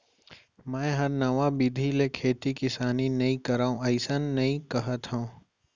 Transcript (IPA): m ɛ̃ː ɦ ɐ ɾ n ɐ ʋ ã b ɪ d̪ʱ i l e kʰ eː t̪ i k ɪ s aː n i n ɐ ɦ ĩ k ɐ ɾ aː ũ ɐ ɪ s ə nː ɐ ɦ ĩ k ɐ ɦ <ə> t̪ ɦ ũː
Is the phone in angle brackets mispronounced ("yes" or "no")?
no